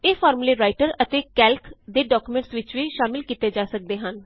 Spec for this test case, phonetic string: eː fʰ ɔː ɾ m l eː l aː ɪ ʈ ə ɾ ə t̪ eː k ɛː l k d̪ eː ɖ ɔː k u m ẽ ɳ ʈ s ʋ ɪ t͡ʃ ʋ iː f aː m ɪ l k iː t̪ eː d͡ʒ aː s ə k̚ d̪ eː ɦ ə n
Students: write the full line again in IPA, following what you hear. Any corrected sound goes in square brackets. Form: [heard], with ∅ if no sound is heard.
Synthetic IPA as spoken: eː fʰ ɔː ɾ m l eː [ɾ] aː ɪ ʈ ə ɾ ə t̪ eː k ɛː l k d̪ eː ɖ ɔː k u m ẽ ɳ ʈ s ʋ ɪ t͡ʃ ʋ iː [ʃ] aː m ɪ l k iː t̪ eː d͡ʒ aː s ə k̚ d̪ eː ɦ ə n